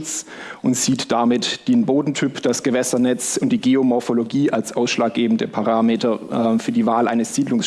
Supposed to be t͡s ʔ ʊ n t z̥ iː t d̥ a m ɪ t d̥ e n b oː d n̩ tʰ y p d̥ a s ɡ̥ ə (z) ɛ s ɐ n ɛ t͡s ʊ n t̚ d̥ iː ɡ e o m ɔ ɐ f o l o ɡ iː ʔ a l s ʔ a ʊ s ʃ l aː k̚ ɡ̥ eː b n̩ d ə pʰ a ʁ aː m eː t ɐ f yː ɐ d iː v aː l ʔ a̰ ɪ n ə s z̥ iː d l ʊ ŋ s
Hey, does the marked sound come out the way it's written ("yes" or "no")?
no